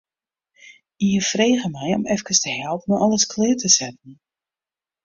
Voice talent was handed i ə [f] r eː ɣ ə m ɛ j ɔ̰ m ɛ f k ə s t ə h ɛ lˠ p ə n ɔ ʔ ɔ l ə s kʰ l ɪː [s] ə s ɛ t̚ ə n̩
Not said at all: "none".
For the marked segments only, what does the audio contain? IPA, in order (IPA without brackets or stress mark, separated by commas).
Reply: f, t